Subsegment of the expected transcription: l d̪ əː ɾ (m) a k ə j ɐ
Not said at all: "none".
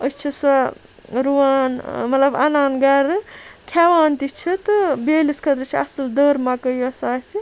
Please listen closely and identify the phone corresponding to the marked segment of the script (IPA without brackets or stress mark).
m